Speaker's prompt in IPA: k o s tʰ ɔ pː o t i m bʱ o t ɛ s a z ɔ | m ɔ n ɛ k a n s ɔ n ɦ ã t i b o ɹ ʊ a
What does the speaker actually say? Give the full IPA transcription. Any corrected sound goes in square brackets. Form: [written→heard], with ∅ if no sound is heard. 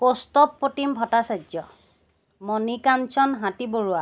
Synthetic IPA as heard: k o s [tʰ→t] ɔ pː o t i m bʱ [o→ɔ] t [ɛ→a] s a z ɔ | m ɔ n [ɛ→i] k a n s ɔ n ɦ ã t i b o ɹ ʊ a

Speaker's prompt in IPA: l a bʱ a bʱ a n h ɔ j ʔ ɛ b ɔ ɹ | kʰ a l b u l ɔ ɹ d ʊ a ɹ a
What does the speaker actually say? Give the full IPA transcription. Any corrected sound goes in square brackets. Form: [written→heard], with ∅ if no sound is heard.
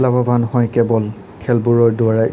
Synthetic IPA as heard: l a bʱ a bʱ a n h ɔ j [ʔ→k] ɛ b ɔ [ɹ→l] | kʰ [a→ɛ] l b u [l→ɹ] ɔ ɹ d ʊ a ɹ a

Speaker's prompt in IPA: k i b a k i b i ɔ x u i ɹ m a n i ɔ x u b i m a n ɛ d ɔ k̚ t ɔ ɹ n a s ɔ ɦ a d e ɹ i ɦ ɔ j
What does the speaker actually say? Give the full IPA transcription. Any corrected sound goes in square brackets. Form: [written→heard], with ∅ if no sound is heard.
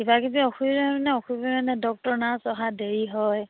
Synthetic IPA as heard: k i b a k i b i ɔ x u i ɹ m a n [i→ɛ] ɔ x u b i m a n ɛ d ɔ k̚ t ɔ ɹ n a s ɔ ɦ a d e ɹ i ɦ ɔ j

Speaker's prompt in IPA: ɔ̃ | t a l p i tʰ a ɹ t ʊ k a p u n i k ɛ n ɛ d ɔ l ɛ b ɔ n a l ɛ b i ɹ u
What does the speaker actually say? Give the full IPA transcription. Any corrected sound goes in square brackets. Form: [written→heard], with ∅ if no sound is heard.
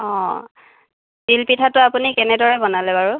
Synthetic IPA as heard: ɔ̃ | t [a→i] l p i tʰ a [ɹ→∅] t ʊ [k→∅] a p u n i k ɛ n ɛ d ɔ [l→ɹ] ɛ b ɔ n a l ɛ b [i→a] ɹ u

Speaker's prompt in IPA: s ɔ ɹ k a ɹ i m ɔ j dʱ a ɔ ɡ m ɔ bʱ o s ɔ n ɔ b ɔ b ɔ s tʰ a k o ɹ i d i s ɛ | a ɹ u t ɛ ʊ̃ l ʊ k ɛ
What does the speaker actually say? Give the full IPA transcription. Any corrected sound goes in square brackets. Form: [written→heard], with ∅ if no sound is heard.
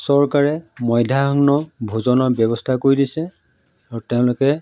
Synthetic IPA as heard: s ɔ ɹ k a ɹ [i→ɛ] m ɔ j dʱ a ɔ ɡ [m→n] ɔ bʱ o [s→z] ɔ n ɔ b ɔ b ɔ s tʰ a k o ɹ i d i s ɛ | a ɹ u t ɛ ʊ̃ l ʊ k ɛ

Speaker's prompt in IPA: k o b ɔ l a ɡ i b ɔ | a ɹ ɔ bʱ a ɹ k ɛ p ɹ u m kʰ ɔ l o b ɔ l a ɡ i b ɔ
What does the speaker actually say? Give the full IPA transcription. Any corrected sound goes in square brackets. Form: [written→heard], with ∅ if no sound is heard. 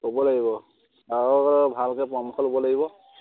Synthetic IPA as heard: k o b ɔ l a ɡ i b ɔ | a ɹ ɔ bʱ a [ɹ→l] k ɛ p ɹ [u→ɔ] m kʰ ɔ l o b ɔ l a ɡ i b ɔ

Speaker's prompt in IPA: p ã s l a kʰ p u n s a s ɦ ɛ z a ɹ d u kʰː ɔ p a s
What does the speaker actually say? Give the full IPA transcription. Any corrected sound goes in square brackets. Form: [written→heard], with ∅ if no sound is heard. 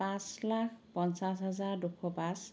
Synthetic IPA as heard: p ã s l a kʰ p [u→ɔ] n s a s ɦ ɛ z a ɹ d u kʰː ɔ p a s

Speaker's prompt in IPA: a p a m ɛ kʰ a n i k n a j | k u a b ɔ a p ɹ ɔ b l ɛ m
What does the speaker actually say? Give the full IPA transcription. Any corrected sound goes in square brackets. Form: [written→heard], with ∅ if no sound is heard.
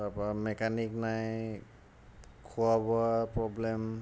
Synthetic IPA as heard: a p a m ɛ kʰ a n i k n a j | [k→kʰ] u a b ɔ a p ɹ ɔ b l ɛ m

